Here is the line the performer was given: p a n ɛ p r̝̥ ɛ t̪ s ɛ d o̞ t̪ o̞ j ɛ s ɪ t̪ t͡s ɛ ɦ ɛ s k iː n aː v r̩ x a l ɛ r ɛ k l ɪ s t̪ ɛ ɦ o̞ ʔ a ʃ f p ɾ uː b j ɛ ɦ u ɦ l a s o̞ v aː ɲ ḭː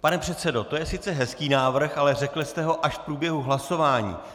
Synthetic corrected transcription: p a n ɛ p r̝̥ ɛ t̪ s ɛ d o̞ t̪ o̞ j ɛ s ɪ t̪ t͡s ɛ ɦ ɛ s k iː n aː v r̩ x a l ɛ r ɛ k l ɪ s t̪ ɛ ɦ o̞ ʔ a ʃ f p ɾ uː b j ɛ ɦ u ɦ l a s o̞ v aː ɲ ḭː

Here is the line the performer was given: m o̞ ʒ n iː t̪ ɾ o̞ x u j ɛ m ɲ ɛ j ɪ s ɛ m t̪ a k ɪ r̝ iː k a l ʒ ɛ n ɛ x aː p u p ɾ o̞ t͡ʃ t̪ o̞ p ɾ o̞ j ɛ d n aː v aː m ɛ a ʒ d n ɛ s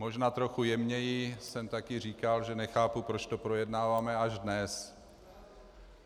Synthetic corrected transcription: m o̞ ʒ n aː t̪ ɾ o̞ x u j ɛ m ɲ ɛ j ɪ s ɛ m t̪ a k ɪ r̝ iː k a l ʒ ɛ n ɛ x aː p u p ɾ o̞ t͡ʃ t̪ o̞ p ɾ o̞ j ɛ d n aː v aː m ɛ a ʒ d n ɛ s

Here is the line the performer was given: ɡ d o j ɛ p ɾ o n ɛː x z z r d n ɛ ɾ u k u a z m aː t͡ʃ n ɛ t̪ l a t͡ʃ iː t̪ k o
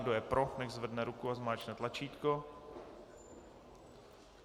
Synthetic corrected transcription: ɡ d o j ɛ p ɾ o n ɛ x z v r d n ɛ ɾ u k u a z m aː t͡ʃ n ɛ t̪ l a t͡ʃ iː t̪ k o

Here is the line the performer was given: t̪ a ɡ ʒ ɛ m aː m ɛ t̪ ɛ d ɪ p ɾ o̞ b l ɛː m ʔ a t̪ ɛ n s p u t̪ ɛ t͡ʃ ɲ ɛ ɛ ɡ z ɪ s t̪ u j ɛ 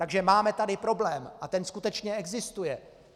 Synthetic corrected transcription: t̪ a ɡ ʒ ɛ m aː m ɛ t̪ a d ɪ p ɾ o̞ b l ɛː m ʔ a t̪ ɛ n s k u t̪ ɛ t͡ʃ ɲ ɛ ɛ ɡ z ɪ s t̪ u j ɛ

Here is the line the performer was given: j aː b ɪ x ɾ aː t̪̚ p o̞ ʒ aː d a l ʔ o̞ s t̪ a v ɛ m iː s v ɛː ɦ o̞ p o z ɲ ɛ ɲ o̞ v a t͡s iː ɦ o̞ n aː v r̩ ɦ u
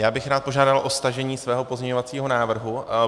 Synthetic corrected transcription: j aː b ɪ x ɾ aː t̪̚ p o̞ ʒ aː d a l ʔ o̞ s t̪ a ʒ ɛ ɲ iː s v ɛː ɦ o̞ p o z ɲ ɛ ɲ o̞ v a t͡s iː ɦ o̞ n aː v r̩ ɦ u

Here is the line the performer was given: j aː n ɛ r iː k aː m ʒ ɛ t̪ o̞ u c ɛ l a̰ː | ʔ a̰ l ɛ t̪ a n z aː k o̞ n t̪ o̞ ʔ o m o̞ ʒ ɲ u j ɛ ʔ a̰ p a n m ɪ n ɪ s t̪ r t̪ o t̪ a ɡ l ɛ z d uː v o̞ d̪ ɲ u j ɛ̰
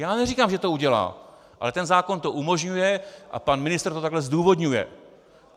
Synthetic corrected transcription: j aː n ɛ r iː k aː m ʒ ɛ t̪ o̞ u ɟ ɛ l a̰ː | ʔ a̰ l ɛ t̪ ɛ n z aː k o̞ n t̪ o̞ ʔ u m o̞ ʒ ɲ u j ɛ ʔ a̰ p a n m ɪ n ɪ s t̪ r t̪ o t̪ a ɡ l ɛ z d uː v o̞ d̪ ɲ u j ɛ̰

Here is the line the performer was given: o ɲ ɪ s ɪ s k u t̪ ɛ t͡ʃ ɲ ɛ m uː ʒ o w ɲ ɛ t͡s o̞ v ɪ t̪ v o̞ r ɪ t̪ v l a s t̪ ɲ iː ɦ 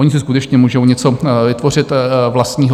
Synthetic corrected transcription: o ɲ ɪ s ɪ s k u t̪ ɛ t͡ʃ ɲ ɛ m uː ʒ o w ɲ ɛ t͡s o̞ v ɪ t̪ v o̞ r ɪ t̪ v l a s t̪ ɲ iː ɦ

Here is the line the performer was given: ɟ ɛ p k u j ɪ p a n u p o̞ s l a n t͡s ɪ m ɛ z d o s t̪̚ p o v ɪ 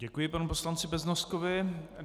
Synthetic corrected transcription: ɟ ɛ k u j ɪ p a n u p o̞ s l a n t͡s ɪ b ɛ z n o s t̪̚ k o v ɪ

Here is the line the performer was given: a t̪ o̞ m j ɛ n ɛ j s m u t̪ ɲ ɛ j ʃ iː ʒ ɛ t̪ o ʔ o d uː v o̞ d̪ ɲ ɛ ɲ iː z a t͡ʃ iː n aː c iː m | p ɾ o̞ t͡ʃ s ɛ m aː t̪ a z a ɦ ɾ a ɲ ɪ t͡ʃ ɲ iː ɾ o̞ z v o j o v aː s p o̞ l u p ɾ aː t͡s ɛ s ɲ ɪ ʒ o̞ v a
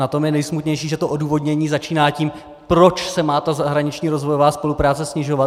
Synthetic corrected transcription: a t̪ o̞ m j ɛ n ɛ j s m u t̪ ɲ ɛ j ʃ iː ʒ ɛ t̪ o ʔ o d uː v o̞ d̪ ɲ ɛ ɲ iː z a t͡ʃ iː n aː c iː m | p ɾ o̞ t͡ʃ s ɛ m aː t̪ a z a ɦ ɾ a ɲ ɪ t͡ʃ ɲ iː ɾ o̞ z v o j o v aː s p o̞ l u p ɾ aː t͡s ɛ s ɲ ɪ ʒ o̞ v a

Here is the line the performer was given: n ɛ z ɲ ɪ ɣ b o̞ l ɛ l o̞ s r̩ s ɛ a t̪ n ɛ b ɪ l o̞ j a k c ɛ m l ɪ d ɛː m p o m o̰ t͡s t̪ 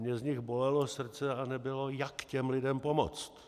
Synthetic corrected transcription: ɲ ɛ z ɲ ɪ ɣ b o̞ l ɛ l o̞ s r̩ t͡s ɛ a n ɛ b ɪ l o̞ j a k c ɛ m l ɪ d ɛ m p o m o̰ t͡s t̪

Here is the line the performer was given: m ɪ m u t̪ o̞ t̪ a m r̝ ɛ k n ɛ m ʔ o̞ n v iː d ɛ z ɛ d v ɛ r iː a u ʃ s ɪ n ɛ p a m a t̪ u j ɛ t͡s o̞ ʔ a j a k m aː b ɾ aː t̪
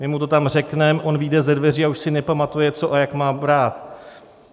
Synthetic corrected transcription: m ɪ m u t̪ o̞ t̪ a m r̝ ɛ k n ɛ m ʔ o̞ n v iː d ɛ z ɛ d v ɛ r iː a u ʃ s ɪ n ɛ p a m a t̪ u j ɛ t͡s o̞ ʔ a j a k m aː b ɾ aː t̪

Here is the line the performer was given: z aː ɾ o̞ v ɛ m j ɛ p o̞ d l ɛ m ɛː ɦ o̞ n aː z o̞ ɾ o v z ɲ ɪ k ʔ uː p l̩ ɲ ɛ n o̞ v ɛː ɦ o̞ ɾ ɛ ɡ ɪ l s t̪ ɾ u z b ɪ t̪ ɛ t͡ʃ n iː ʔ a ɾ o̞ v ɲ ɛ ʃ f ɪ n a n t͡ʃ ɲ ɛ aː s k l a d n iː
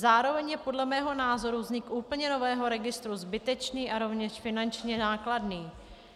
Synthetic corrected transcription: z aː ɾ o̞ v ɛ ɲ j ɛ p o̞ d l ɛ m ɛː ɦ o̞ n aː z o̞ ɾ u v z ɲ ɪ k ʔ uː p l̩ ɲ ɛ n o̞ v ɛː ɦ o̞ ɾ ɛ ɡ ɪ s t̪ ɾ u z b ɪ t̪ ɛ t͡ʃ n iː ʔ a ɾ o̞ v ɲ ɛ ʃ f ɪ n a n t͡ʃ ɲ ɛ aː k l a d n iː

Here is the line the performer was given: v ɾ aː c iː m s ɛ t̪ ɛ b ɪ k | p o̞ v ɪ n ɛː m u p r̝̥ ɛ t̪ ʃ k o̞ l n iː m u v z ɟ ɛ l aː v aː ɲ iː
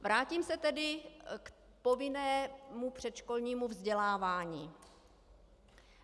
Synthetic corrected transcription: v ɾ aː c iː m s ɛ t̪ ɛ d ɪ k | p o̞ v ɪ n ɛː m u p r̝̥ ɛ t̪ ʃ k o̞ l ɲ iː m u v z ɟ ɛ l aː v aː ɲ iː

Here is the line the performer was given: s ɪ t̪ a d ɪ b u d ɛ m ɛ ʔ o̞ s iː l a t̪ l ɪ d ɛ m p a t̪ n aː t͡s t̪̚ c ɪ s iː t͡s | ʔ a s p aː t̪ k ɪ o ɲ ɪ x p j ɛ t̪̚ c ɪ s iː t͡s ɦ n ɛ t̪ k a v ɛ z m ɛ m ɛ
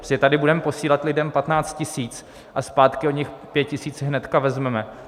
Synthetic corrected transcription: s ɪ t̪ a d ɪ b u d ɛ m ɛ p o̞ s iː l a t̪ l ɪ d ɛ m p a t̪ n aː t͡s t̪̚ c ɪ s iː t͡s | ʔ a s p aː t̪ k ɪ o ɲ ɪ x p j ɛ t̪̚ c ɪ s iː t͡s ɦ n ɛ t̪ k a v ɛ z m ɛ m ɛ

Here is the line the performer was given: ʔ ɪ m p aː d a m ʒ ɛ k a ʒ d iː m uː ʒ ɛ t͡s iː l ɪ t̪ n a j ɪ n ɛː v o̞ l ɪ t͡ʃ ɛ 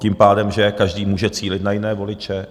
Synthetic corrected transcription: c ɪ m p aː d ɛ m ʒ ɛ k a ʒ d iː m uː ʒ ɛ t͡s iː l ɪ t̪ n a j ɪ n ɛː v o̞ l ɪ t͡ʃ ɛ

